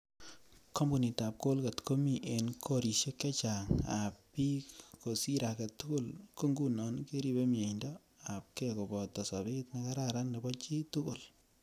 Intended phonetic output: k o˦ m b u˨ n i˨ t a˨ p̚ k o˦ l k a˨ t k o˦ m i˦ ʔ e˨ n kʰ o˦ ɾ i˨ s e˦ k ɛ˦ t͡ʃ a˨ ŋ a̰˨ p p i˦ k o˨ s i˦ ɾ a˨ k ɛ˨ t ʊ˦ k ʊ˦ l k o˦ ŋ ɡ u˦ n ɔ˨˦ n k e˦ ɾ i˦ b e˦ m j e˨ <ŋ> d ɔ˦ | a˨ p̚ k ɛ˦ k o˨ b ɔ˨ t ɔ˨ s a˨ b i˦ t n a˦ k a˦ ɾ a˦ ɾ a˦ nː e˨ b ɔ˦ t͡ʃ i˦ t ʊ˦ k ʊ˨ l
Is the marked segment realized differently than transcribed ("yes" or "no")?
yes